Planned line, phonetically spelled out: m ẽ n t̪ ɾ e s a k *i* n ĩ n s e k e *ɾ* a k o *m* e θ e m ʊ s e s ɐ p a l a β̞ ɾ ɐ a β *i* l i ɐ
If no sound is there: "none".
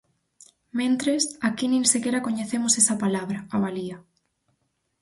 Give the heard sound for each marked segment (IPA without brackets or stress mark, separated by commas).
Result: i, ɾ, ɲ, a